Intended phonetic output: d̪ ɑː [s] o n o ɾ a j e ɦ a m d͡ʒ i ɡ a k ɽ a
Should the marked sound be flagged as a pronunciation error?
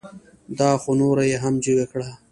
yes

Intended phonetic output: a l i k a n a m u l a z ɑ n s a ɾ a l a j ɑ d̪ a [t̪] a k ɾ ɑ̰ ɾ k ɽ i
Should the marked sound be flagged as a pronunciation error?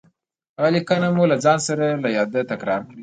no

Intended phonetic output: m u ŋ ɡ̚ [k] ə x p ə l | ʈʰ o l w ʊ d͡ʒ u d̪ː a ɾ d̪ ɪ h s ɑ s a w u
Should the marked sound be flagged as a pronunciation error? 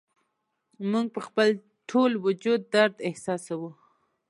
yes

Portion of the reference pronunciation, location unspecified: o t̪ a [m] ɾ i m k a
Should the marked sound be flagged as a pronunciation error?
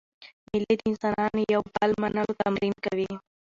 no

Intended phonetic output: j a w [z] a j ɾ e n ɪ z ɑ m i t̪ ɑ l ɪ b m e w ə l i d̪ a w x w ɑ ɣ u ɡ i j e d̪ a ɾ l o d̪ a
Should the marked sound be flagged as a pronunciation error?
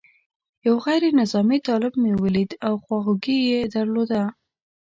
yes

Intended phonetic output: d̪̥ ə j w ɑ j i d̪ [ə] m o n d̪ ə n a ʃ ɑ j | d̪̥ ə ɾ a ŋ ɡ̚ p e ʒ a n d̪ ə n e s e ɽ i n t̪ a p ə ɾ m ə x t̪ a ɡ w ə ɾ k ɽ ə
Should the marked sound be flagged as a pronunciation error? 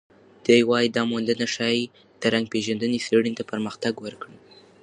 yes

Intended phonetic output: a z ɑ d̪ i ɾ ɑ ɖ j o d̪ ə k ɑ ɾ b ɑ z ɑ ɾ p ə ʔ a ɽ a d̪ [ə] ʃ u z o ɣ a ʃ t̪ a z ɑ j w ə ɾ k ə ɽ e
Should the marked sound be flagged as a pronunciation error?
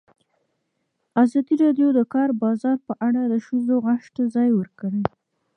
no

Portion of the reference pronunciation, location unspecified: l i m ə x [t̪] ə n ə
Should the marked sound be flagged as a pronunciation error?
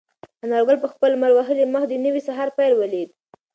yes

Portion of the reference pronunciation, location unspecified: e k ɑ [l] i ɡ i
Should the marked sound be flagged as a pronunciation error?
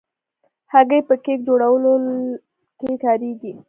yes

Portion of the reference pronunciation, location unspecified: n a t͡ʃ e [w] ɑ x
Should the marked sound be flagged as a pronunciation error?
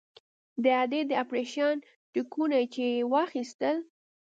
no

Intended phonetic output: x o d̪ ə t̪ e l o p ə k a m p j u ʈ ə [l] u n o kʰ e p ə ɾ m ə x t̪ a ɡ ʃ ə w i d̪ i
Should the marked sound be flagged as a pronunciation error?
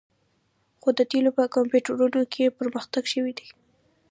yes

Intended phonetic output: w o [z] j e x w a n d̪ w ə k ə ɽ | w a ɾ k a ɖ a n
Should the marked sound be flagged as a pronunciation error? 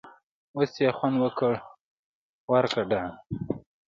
yes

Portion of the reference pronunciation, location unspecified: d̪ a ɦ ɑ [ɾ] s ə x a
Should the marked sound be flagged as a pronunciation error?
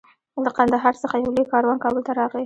no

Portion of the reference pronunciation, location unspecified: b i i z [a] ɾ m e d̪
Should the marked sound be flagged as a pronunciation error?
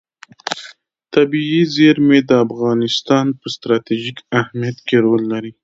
yes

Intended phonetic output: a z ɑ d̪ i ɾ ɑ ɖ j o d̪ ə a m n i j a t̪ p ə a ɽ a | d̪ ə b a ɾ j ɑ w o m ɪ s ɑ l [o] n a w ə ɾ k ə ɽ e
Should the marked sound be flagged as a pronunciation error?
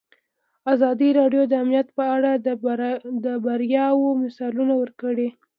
yes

